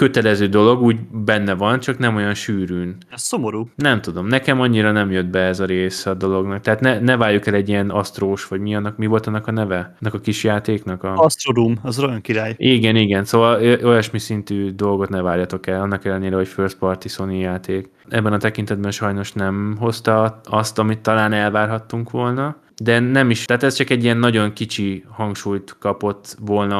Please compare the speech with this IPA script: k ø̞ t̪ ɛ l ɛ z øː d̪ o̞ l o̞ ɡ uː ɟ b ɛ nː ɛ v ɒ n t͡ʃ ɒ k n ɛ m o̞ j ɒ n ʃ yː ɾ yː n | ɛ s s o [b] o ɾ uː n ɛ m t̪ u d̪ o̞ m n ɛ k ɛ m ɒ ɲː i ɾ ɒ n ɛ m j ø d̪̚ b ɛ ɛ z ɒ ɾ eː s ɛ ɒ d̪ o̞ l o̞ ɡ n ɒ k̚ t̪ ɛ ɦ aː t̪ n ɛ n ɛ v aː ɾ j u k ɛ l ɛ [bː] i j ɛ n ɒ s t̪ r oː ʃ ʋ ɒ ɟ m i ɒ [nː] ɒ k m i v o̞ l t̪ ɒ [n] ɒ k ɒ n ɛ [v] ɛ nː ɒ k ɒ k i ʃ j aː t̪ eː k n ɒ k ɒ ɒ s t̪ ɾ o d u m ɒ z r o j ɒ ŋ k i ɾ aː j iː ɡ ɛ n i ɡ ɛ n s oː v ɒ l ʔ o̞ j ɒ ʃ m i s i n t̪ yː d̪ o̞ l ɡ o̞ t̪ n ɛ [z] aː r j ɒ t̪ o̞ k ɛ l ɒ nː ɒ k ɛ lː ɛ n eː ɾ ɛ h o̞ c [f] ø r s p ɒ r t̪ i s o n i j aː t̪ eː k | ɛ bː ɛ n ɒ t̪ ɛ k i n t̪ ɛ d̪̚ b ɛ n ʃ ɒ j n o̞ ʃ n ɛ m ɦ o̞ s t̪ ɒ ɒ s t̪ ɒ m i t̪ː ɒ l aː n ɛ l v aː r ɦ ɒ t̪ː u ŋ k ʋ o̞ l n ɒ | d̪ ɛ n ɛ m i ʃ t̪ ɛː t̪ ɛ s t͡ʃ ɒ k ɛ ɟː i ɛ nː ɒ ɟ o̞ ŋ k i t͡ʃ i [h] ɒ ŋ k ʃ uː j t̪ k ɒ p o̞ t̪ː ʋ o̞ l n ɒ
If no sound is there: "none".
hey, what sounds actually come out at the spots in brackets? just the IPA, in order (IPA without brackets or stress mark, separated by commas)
m, ɟː, nː, nː, v, v, f, h